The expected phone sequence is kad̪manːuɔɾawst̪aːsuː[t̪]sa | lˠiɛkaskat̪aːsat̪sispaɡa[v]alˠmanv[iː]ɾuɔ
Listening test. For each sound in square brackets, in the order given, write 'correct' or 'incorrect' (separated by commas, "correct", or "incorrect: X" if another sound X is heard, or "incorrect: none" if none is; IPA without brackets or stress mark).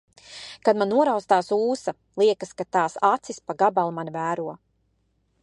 incorrect: none, incorrect: b, incorrect: æː